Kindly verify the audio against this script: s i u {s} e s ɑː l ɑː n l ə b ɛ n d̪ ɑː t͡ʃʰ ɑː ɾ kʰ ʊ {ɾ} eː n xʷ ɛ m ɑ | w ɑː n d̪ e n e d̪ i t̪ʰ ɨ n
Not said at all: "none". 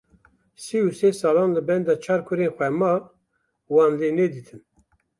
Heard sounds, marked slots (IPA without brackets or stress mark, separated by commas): s, ɾ